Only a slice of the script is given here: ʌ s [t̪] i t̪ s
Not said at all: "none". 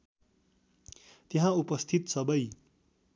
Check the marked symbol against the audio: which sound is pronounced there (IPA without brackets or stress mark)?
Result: t̪ʰ